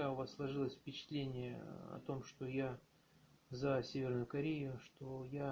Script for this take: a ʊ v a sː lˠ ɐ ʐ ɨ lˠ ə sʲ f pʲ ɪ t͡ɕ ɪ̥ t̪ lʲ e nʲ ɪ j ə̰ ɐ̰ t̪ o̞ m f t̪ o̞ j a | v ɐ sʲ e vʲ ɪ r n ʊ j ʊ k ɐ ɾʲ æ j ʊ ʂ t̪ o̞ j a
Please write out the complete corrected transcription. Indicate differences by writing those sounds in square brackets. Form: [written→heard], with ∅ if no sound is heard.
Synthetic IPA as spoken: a ʊ v a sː lˠ ɐ ʐ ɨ lˠ ə sʲ f pʲ ɪ t͡ɕ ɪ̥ t̪ lʲ e nʲ ɪ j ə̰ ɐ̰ t̪ o̞ m [f→ʂ] t̪ o̞ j a | [v→z] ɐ sʲ e vʲ ɪ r n ʊ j ʊ k ɐ ɾʲ [æ→e] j ʊ ʂ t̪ o̞ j a